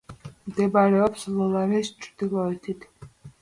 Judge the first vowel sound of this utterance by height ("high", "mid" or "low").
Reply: mid